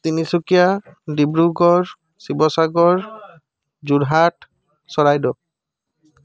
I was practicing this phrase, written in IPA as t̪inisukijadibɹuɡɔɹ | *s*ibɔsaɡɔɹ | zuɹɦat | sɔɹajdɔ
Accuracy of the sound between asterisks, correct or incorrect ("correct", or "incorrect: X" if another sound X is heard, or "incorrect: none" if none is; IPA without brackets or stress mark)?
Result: correct